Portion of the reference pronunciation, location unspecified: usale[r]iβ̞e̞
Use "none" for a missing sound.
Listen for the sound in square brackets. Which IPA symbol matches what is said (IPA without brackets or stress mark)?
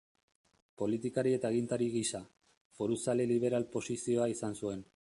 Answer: l